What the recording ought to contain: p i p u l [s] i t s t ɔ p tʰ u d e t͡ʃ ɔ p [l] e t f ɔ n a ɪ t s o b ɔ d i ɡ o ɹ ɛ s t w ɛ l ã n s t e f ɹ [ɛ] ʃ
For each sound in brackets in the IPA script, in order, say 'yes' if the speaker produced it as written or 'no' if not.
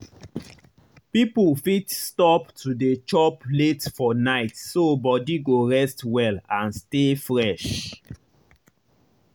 no, yes, yes

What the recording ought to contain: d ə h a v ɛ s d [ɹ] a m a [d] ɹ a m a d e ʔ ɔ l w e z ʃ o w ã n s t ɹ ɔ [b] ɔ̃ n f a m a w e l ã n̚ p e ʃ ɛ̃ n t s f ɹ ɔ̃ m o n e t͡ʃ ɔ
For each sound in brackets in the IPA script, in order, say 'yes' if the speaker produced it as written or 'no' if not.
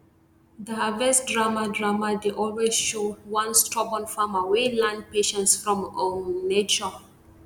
yes, yes, yes

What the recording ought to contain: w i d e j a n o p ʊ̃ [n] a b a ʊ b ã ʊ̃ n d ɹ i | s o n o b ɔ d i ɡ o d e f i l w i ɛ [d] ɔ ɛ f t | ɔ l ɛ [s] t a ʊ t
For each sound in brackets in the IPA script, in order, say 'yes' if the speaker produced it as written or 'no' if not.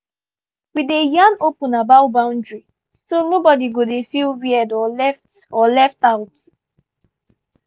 yes, yes, no

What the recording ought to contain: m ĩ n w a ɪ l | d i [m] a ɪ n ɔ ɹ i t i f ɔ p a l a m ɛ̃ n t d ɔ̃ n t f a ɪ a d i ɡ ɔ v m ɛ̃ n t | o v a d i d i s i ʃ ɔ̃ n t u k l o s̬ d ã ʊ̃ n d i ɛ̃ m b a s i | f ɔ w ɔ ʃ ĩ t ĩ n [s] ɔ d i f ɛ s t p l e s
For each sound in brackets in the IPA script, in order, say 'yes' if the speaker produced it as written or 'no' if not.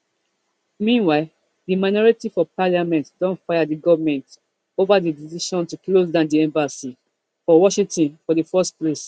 yes, no

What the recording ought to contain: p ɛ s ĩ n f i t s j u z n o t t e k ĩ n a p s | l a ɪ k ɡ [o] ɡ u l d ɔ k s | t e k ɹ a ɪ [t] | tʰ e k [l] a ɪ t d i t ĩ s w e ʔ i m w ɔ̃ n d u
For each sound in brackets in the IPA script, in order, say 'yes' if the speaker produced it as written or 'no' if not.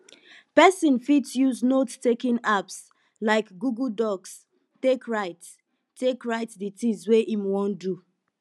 no, yes, no

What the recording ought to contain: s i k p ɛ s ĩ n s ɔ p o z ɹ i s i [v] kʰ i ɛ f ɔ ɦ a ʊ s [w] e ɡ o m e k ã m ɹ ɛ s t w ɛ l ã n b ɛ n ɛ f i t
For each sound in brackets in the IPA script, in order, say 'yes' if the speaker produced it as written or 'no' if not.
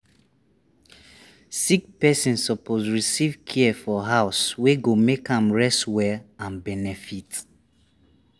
yes, yes

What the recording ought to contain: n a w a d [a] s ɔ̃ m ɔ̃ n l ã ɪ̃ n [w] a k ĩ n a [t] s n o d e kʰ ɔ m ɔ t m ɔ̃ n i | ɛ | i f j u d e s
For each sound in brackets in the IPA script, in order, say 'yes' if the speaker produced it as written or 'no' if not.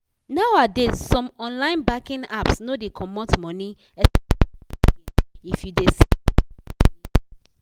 no, no, no

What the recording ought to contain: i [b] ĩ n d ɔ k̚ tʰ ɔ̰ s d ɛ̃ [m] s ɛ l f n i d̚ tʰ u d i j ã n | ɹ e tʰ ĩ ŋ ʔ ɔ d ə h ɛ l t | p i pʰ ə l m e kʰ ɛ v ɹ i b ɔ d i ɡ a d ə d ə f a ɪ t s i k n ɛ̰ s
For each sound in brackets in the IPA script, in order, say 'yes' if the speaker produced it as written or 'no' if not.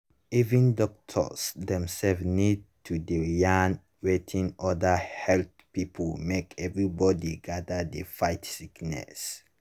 no, yes

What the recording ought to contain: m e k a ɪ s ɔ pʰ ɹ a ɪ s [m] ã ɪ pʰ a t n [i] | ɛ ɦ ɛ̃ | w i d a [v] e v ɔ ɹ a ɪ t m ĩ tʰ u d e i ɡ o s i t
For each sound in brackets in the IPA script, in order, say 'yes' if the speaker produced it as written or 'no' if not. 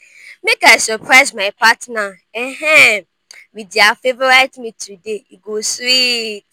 yes, no, no

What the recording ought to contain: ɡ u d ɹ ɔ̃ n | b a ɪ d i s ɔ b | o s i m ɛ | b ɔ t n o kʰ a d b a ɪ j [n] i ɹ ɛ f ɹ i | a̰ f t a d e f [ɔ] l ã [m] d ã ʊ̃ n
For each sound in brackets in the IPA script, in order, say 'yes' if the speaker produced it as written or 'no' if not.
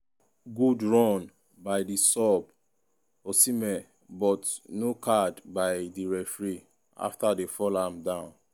no, yes, yes

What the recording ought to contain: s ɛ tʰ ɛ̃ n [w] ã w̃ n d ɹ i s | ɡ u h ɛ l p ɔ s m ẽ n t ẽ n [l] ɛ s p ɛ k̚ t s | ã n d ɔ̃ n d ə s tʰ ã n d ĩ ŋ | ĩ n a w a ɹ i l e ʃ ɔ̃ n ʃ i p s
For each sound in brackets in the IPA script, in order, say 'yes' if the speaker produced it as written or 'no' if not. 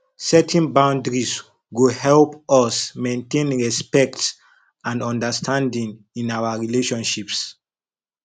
no, no

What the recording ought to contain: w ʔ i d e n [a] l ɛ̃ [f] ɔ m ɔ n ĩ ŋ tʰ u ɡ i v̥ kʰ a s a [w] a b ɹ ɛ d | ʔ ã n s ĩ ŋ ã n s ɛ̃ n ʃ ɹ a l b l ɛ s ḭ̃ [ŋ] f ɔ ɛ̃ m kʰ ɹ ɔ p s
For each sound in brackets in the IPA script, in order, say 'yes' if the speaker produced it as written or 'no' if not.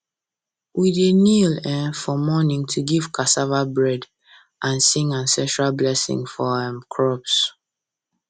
no, yes, no, yes

